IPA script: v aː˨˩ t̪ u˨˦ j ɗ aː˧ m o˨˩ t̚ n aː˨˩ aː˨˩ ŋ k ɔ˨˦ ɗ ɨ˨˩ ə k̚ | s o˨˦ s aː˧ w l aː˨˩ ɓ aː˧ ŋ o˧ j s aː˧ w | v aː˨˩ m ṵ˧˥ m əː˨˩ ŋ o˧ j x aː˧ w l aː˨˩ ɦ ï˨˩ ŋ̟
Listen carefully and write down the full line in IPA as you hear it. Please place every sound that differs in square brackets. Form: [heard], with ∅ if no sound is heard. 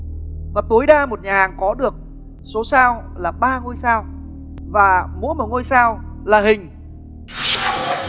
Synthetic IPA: v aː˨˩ t̪ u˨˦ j ɗ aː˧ m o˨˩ t̚ [ɲ] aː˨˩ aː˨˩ ŋ k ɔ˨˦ ɗ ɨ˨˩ ə k̚ | s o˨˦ s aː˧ w l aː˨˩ ɓ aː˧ ŋ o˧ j s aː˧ w | v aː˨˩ m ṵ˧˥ m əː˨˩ ŋ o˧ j [s] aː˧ w l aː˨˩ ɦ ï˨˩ ŋ̟